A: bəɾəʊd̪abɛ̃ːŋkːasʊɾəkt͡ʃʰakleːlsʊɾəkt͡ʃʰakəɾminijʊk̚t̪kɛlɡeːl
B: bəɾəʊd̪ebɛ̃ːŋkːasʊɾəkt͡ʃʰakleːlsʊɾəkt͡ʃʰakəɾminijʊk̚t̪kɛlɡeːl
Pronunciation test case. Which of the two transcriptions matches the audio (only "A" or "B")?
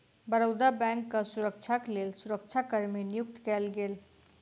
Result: A